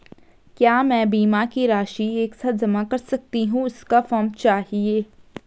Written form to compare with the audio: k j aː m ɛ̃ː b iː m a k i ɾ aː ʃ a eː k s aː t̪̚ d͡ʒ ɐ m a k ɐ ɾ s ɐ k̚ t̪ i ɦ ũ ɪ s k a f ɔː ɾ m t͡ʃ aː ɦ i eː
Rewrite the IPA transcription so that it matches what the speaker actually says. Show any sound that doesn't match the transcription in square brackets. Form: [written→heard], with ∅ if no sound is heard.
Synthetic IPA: k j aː m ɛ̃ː b iː m a k i ɾ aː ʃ [a→i] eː k s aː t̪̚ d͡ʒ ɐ m a k ɐ ɾ s ɐ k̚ t̪ i ɦ ũ ɪ s k a f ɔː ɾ m t͡ʃ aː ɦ i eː

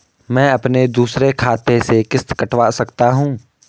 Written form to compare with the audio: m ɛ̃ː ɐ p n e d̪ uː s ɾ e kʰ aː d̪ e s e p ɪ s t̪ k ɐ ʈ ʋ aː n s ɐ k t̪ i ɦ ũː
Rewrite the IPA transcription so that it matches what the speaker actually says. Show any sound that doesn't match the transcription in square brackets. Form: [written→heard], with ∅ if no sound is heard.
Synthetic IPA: m ɛ̃ː ɐ p n e d̪ uː s ɾ e kʰ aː [d̪→t̪] e s e [p→k] ɪ s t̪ k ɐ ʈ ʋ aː [n→∅] s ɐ k t̪ [i→a] ɦ ũː

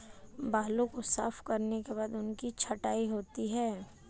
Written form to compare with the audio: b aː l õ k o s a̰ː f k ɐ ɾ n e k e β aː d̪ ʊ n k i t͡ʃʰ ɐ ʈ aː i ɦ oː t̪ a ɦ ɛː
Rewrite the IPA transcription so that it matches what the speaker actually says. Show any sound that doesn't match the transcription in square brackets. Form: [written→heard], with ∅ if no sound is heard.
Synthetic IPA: b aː l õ k o s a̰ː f k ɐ ɾ n e k e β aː d̪ ʊ n k i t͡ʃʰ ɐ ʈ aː i ɦ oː t̪ [a→i] ɦ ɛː

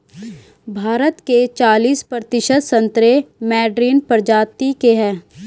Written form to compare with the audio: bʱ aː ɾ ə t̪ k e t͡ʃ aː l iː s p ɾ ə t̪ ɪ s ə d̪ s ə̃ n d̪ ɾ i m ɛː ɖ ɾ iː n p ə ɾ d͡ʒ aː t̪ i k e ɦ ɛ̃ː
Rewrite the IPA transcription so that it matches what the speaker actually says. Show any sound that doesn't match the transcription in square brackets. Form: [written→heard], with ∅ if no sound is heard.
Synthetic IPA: bʱ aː ɾ ə t̪ k e t͡ʃ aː l iː s p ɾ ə t̪ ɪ [s→ʃ] ə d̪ s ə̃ n [d̪→t̪] ɾ [i→e] m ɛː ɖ ɾ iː n p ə ɾ d͡ʒ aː t̪ i k e ɦ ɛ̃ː

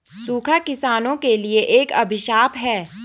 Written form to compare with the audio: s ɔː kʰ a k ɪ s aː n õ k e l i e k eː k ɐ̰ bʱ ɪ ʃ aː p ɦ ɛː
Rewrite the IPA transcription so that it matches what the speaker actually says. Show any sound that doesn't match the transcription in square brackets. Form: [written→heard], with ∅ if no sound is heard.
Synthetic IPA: s [ɔː→uː] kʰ a k ɪ s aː n õ k e l i e [k→ʔ] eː k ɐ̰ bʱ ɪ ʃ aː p ɦ ɛː

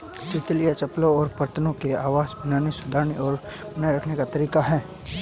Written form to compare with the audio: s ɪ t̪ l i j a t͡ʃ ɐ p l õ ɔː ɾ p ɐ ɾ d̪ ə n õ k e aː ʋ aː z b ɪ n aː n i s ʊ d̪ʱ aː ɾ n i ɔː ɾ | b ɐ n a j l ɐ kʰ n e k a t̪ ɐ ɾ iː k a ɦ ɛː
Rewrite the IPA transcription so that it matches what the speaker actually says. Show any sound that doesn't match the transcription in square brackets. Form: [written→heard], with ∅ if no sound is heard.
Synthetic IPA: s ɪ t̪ l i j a t͡ʃ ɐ p l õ ɔː ɾ p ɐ ɾ [d̪→t̪] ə n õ k e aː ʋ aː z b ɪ n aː n i s ʊ d̪ʱ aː ɾ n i ɔː ɾ | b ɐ n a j [l→ɾ] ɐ kʰ n e k a t̪ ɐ ɾ iː k a ɦ ɛː

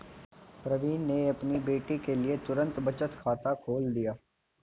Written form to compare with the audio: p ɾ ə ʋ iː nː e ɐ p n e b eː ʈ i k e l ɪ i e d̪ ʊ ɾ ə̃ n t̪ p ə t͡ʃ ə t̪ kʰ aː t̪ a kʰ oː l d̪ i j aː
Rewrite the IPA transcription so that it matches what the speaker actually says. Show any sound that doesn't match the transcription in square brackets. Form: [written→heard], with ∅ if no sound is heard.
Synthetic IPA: p ɾ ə ʋ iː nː e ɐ p n [e→i] b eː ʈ i k e l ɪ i e [d̪→t̪] ʊ ɾ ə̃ n t̪ [p→b] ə t͡ʃ ə t̪ kʰ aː t̪ a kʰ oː l d̪ i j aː

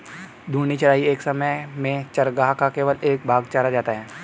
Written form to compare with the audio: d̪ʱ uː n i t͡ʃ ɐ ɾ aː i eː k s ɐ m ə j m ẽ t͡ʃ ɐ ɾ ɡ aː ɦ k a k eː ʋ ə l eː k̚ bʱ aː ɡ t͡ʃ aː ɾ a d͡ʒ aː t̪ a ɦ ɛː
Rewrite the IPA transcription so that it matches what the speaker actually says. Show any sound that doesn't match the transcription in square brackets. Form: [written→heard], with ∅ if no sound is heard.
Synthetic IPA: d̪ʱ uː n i t͡ʃ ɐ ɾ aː i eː k s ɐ m ə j m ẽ t͡ʃ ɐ ɾ ɡ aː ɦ k a k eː ʋ ə l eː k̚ bʱ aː ɡ t͡ʃ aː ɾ a d͡ʒ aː t̪ a ɦ ɛː

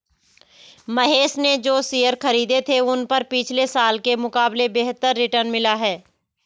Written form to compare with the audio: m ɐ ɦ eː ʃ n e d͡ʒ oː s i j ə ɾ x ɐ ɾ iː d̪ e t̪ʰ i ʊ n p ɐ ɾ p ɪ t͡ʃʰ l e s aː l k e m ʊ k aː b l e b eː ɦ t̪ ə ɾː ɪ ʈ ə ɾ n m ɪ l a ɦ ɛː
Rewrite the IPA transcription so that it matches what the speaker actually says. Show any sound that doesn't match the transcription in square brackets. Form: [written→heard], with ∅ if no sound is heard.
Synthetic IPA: m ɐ ɦ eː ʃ n e d͡ʒ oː s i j ə ɾ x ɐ ɾ iː d̪ e t̪ʰ [i→e] ʊ n p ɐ ɾ p ɪ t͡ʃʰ l e s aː l k e m ʊ k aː b l e b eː ɦ t̪ ə ɾː ɪ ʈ ə ɾ n m ɪ l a ɦ ɛː

